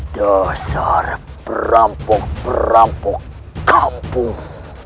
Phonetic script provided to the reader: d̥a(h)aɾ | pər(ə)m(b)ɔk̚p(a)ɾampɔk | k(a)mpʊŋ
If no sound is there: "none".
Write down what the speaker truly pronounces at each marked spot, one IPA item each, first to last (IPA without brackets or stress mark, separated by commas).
s, a, p, ə, a